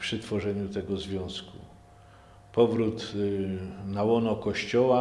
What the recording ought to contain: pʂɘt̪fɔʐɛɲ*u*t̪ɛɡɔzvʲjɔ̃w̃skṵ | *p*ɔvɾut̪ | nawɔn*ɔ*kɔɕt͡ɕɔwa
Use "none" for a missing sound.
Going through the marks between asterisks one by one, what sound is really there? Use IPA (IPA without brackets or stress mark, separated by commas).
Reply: u, p, ɔ